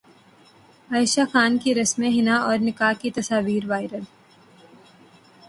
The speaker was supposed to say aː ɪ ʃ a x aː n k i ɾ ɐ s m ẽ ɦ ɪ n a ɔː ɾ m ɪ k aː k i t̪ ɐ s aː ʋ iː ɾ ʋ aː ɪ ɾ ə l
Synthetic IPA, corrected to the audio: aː ɪ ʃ a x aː n k i ɾ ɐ s m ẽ ɦ ɪ n a ɔː ɾ n ɪ k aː k i t̪ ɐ s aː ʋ iː ɾ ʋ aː ɪ ɾ ə l